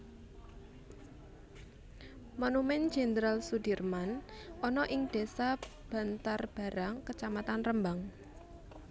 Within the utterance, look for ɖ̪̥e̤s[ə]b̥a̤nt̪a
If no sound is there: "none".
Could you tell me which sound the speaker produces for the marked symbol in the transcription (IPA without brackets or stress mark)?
a